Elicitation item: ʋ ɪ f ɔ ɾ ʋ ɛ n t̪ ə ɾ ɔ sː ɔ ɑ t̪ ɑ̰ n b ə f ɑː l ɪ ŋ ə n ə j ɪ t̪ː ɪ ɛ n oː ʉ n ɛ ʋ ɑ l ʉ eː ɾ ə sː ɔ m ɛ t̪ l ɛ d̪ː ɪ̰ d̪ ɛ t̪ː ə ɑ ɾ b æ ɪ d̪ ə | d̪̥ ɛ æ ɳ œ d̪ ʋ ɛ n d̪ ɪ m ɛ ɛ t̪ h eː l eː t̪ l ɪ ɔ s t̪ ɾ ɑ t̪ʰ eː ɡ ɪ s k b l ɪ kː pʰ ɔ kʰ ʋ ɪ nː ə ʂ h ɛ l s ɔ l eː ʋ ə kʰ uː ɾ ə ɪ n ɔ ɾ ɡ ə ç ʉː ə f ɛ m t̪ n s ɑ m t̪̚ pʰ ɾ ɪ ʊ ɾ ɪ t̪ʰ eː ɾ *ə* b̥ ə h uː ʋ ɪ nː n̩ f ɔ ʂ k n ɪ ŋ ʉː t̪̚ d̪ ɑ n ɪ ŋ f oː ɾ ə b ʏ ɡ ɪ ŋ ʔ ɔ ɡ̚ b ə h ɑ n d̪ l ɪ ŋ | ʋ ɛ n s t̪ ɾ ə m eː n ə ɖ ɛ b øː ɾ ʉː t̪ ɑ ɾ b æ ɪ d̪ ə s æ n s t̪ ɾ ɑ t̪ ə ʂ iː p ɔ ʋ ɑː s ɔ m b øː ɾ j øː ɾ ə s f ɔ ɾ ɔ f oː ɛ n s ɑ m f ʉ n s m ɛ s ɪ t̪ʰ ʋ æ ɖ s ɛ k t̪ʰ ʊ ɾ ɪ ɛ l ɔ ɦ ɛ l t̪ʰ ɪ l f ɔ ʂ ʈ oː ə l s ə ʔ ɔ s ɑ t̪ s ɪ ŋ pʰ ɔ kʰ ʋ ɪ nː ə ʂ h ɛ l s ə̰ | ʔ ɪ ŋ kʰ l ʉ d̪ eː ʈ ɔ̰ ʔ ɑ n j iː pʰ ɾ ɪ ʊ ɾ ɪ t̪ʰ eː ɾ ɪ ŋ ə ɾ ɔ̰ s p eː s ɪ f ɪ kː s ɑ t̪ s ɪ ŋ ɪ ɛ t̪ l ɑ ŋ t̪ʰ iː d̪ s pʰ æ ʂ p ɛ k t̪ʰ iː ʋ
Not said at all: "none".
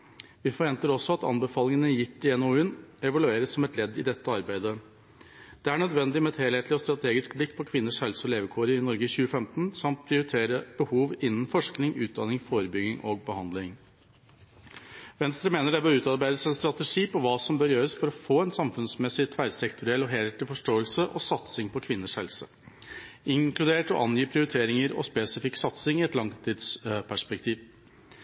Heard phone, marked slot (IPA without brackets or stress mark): ə